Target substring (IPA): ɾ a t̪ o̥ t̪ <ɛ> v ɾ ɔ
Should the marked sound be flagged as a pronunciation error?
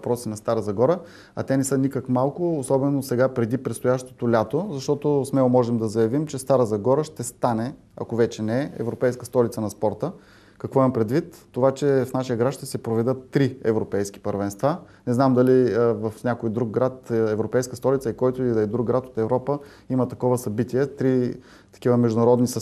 no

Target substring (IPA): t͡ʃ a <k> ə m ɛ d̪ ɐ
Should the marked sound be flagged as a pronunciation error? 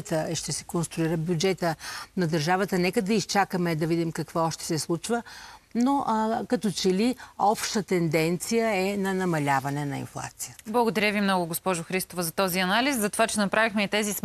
no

